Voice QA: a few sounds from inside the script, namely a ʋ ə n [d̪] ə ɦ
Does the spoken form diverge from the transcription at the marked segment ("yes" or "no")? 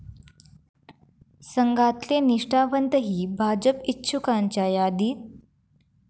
yes